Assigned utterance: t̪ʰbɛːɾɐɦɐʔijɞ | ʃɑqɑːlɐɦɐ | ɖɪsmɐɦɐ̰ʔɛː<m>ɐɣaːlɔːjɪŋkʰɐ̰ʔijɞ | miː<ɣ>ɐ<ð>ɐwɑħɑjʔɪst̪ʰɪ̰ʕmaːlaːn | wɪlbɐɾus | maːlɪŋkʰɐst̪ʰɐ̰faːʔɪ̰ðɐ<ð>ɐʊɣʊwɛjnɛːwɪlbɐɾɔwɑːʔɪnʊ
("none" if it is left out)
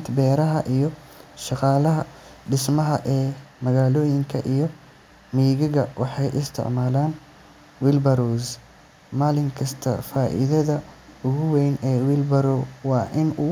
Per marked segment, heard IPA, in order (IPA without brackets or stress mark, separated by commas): m, ɣ, ɣ, ð